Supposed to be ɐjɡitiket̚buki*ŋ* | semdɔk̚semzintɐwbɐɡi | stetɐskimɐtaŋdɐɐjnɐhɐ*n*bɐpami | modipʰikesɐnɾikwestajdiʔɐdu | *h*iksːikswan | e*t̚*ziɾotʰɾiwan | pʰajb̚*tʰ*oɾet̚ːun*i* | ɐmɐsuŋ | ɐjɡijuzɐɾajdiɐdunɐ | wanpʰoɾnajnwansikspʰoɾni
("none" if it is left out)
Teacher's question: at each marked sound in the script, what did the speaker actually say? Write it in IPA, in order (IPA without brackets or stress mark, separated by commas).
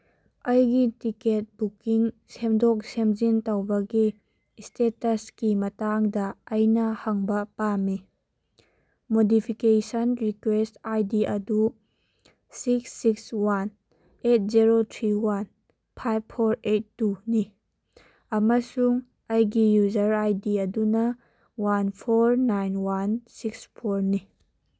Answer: ŋ, ŋ, s, t̚, pʰ, i